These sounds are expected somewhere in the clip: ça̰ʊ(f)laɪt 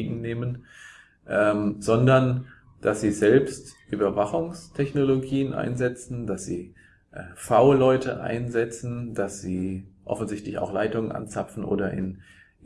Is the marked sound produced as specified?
no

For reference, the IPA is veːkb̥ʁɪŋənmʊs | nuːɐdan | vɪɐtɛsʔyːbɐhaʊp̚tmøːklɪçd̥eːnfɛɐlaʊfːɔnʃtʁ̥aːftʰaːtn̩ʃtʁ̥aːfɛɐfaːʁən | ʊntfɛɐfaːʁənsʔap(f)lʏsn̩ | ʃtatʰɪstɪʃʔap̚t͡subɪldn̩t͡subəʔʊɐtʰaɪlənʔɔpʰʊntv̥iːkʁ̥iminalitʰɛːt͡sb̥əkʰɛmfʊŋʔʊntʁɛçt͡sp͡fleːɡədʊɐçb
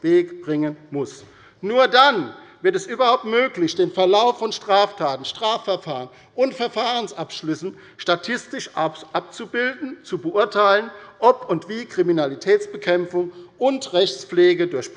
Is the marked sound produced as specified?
no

